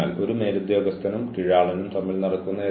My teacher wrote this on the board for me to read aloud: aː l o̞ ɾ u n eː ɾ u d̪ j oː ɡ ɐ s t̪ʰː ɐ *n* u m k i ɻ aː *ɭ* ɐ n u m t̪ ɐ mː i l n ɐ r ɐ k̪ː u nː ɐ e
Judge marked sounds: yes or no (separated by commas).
yes, yes